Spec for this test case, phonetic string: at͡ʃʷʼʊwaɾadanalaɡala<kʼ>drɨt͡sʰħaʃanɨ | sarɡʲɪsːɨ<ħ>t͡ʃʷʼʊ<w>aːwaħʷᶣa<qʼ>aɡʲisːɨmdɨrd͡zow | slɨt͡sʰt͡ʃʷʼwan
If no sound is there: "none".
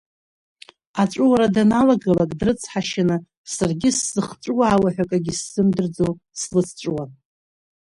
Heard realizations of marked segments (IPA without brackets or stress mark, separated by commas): kʼ, χ, w, kʼ